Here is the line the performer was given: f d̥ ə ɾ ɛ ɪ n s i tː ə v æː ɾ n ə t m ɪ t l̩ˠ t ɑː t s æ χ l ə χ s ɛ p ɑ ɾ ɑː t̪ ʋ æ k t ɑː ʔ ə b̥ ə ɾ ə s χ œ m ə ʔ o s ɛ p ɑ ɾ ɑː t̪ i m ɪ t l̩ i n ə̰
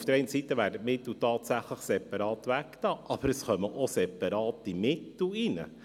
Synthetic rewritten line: f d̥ ə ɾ ɛ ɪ n s i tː ə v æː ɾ d ə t m ɪ t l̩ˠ t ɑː t s æ χ l ə χ s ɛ p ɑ ɾ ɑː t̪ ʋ æ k t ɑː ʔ ɑ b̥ ə ɾ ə s χ œ m ə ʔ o s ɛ p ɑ ɾ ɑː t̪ i m ɪ t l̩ i n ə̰